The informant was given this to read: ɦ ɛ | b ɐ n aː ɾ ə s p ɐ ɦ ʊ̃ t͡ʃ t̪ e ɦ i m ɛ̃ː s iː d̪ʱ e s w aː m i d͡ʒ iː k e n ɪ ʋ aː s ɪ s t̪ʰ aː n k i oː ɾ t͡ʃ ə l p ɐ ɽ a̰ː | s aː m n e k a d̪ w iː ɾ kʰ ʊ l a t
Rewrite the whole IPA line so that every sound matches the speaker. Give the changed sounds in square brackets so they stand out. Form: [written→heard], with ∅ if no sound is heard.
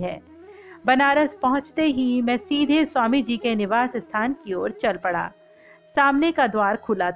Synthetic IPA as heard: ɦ [ɛ→ɛː] | b ɐ n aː ɾ ə s p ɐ ɦ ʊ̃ t͡ʃ t̪ e ɦ i m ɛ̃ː s iː d̪ʱ e s w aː m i d͡ʒ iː k e n ɪ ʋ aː s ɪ s t̪ʰ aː n k i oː ɾ t͡ʃ [ə→ɐ] l p ɐ ɽ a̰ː | s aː m n e k a d̪ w [iː→aː] ɾ kʰ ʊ l a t